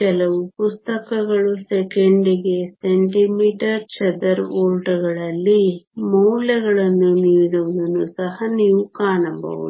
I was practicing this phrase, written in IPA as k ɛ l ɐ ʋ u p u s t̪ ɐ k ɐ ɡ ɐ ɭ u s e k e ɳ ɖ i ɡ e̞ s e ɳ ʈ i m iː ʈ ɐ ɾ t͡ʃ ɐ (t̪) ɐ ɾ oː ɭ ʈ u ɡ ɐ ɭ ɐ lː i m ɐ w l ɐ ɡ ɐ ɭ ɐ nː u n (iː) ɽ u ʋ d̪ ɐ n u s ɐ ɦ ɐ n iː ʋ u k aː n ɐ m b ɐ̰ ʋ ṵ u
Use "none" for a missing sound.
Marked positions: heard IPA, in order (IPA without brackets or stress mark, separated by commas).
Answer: d̪, iː